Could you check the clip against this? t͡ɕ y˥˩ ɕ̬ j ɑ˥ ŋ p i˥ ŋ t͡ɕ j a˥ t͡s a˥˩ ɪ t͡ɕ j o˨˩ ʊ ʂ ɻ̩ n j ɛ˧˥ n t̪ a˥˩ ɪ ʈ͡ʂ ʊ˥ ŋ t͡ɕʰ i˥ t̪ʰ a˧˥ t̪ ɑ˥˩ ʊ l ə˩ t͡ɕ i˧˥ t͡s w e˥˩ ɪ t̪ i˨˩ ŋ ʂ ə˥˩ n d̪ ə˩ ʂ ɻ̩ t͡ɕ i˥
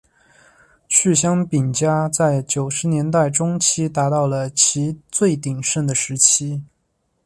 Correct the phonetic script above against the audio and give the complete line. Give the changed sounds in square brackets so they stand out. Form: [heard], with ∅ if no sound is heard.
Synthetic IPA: [t͡ɕʰ] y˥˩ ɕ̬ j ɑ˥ ŋ p [i˨˩] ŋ t͡ɕ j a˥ t͡s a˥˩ ɪ t͡ɕ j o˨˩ ʊ ʂ ɻ̩ n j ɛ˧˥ n t̪ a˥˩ ɪ ʈ͡ʂ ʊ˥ ŋ t͡ɕʰ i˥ [t̪] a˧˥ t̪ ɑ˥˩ ʊ l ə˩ [t͡ɕʰ] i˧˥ t͡s w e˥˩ ɪ t̪ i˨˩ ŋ ʂ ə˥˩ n d̪ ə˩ ʂ ɻ̩ [t͡ɕʰ] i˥